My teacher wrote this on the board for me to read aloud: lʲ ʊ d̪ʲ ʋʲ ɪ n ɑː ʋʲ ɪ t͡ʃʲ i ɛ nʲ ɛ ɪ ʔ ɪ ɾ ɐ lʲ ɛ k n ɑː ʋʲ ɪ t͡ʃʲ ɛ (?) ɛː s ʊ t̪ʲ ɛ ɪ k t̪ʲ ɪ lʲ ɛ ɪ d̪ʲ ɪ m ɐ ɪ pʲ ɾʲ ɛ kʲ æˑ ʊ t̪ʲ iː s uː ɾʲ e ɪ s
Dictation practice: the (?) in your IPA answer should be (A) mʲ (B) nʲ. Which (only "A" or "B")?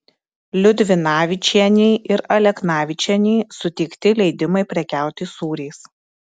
B